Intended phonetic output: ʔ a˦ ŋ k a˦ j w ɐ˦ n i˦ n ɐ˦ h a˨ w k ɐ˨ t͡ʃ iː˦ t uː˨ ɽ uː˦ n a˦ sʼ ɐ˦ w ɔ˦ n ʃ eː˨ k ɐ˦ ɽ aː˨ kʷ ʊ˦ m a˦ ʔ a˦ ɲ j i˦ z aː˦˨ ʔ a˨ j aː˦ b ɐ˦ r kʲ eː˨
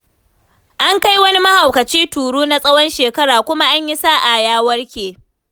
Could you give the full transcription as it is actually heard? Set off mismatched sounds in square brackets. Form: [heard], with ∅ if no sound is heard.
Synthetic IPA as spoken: ʔ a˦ ŋ k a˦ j w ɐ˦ n i˦ [m] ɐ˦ h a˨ w k ɐ˨ t͡ʃ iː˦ t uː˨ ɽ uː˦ n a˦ sʼ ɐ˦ w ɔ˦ n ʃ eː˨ k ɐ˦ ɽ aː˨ kʷ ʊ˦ m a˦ ʔ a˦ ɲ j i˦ [s] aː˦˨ ʔ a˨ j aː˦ [w] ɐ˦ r kʲ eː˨